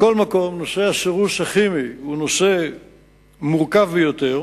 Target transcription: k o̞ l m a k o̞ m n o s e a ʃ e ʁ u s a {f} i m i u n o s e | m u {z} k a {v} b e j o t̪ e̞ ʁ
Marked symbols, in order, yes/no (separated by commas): no, no, yes